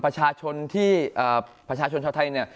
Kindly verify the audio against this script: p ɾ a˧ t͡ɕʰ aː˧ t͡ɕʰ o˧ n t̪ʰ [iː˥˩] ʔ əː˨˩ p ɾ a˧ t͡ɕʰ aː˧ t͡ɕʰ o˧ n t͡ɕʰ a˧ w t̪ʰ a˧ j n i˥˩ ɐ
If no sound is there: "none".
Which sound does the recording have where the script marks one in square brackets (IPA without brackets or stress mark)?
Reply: iː˥˩